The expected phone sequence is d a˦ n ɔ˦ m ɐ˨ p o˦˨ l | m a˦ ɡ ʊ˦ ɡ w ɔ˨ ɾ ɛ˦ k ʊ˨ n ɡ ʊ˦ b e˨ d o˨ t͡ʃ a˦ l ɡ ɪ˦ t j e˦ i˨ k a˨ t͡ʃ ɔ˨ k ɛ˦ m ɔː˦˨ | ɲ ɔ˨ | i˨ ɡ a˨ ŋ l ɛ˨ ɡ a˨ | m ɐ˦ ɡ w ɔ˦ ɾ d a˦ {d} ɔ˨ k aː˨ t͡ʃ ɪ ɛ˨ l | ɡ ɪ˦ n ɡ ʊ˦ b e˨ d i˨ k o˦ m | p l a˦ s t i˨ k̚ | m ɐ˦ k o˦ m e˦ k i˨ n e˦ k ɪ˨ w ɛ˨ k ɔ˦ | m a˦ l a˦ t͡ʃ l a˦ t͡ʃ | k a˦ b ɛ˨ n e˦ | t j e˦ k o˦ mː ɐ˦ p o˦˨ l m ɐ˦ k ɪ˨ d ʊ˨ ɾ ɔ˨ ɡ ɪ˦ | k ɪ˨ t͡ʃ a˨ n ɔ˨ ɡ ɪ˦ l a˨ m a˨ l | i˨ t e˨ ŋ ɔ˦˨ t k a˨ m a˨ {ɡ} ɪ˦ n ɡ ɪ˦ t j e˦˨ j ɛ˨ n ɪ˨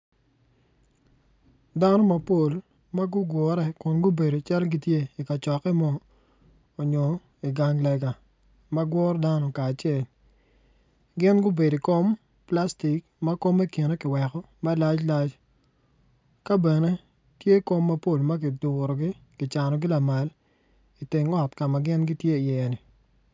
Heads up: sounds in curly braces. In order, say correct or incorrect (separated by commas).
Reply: incorrect, correct